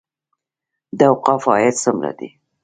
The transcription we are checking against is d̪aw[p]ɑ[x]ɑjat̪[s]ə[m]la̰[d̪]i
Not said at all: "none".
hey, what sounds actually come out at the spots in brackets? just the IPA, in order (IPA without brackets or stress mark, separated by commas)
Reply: q, f, s, m, d̪